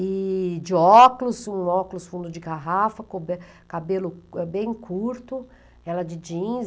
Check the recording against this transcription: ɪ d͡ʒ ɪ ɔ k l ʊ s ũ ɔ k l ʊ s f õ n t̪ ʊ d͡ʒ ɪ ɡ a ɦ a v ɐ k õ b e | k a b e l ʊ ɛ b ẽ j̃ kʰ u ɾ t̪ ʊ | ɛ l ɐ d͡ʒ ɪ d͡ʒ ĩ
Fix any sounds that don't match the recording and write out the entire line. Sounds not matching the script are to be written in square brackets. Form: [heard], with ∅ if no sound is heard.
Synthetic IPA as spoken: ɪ d͡ʒ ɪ ɔ k l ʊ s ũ ɔ k l ʊ s f [ũ] n [d̪] ʊ d͡ʒ ɪ ɡ a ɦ a [f] ɐ k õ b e | k a b e l ʊ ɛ b ẽ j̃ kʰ u ɾ t̪ ʊ | ɛ l ɐ d͡ʒ ɪ d͡ʒ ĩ